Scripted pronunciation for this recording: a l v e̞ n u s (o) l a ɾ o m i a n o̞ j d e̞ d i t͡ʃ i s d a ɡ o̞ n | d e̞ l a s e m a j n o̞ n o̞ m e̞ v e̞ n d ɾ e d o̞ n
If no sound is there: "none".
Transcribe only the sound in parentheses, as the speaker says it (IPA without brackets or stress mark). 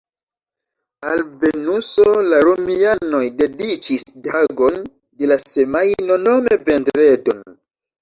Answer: o